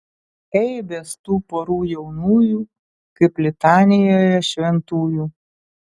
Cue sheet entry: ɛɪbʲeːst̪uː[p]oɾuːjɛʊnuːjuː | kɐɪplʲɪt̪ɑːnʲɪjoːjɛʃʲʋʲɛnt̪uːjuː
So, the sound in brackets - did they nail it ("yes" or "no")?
yes